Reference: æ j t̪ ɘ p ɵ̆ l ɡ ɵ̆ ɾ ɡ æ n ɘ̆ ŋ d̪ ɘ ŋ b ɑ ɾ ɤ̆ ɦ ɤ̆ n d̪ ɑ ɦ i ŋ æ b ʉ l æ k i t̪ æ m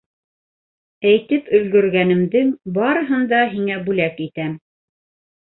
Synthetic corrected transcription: æ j t̪ ɘ p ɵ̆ l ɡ ɵ̆ ɾ ɡ æ n ɘ̆ m d̪ ɘ ŋ b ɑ ɾ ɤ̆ ɦ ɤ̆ n d̪ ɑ ɦ i ŋ æ b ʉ l æ k i t̪ æ m